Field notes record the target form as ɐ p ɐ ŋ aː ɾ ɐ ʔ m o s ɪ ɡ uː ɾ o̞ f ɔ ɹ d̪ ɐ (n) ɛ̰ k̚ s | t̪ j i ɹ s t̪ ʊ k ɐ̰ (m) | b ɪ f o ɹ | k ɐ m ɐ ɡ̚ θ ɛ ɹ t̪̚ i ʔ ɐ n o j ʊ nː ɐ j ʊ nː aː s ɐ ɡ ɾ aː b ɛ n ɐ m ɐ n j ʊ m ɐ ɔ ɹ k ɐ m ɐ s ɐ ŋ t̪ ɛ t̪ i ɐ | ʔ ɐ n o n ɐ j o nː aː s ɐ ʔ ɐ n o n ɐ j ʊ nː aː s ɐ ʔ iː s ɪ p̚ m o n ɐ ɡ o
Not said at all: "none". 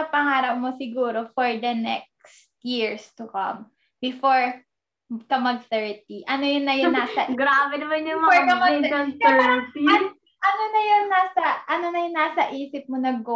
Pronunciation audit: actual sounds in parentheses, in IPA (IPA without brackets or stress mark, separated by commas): n, m